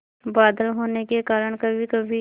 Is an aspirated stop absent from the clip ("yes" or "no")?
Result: yes